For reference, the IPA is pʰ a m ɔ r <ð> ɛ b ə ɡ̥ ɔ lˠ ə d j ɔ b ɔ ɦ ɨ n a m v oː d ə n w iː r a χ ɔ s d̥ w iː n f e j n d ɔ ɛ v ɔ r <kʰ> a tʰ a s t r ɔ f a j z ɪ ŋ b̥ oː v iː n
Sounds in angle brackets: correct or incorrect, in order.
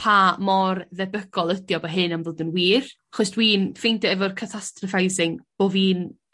correct, correct

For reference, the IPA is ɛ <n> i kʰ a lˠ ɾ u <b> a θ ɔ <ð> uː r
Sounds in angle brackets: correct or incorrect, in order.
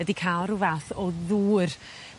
incorrect, incorrect, correct

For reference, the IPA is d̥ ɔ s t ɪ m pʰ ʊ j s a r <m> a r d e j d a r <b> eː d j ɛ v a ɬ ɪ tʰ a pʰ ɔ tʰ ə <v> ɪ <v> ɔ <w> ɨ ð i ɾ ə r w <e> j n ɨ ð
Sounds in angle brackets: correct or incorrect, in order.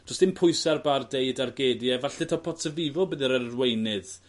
incorrect, incorrect, correct, correct, incorrect, correct

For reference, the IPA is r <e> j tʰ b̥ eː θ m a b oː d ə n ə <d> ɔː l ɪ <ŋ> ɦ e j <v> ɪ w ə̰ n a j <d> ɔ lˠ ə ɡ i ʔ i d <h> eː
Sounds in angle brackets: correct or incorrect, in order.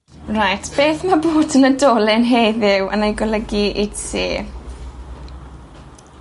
incorrect, correct, incorrect, incorrect, incorrect, incorrect

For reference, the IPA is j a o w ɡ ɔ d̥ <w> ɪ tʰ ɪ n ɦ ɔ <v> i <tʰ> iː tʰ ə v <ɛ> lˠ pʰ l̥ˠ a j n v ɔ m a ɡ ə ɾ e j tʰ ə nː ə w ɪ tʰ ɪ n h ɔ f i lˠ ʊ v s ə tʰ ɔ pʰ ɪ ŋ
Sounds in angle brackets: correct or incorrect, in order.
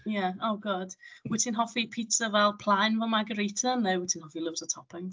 correct, incorrect, incorrect, correct

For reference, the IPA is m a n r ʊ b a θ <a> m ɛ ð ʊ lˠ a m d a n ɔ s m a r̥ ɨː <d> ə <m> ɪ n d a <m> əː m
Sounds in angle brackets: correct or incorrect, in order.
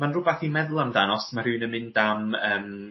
incorrect, incorrect, correct, correct

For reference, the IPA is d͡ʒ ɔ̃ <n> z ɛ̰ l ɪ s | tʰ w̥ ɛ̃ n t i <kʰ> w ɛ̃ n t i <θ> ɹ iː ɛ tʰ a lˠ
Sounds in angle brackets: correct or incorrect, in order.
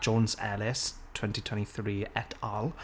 correct, incorrect, correct

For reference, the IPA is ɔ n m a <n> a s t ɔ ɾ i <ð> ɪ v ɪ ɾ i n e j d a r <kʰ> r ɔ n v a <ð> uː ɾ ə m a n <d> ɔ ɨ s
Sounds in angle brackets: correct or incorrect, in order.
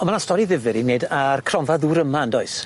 correct, correct, correct, correct, correct

